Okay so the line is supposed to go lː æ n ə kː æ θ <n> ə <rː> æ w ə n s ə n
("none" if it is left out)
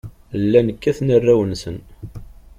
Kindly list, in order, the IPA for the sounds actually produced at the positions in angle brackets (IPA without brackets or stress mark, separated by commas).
n, rː